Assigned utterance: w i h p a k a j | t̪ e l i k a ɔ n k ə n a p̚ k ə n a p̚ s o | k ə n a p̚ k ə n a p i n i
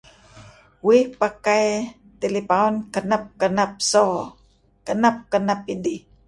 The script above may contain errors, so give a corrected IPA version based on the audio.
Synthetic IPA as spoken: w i h p a k a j | t̪ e l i p a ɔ n k ə n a p̚ k ə n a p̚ s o | k ə n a p̚ k ə n a p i d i